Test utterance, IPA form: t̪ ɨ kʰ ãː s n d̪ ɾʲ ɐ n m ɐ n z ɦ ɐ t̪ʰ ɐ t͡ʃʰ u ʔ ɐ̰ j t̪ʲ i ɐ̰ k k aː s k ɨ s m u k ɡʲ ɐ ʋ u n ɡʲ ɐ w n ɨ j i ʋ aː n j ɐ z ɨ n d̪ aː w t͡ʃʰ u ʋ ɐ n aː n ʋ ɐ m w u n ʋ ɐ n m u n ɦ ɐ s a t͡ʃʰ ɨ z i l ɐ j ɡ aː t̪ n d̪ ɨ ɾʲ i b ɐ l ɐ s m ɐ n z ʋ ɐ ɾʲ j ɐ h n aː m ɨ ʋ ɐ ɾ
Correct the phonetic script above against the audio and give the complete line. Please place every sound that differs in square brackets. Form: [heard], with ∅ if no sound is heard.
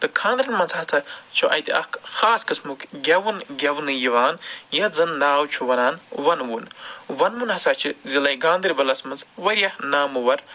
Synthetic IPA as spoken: t̪ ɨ kʰ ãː [∅] n d̪ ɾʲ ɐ n m ɐ n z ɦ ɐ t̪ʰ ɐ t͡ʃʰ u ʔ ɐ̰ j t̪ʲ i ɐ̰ k [x] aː s k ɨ s m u k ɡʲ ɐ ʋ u n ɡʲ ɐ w n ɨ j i ʋ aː n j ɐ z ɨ n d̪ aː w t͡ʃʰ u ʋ ɐ n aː n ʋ ɐ [n] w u n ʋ ɐ n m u n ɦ ɐ s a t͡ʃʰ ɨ z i l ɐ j ɡ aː [∅] n d̪ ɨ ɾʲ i b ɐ l ɐ s m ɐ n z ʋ ɐ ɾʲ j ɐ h n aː m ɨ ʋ ɐ ɾ